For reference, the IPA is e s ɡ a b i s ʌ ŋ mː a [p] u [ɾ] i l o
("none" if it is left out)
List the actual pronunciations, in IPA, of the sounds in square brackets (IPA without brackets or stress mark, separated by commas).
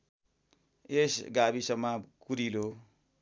k, ɾ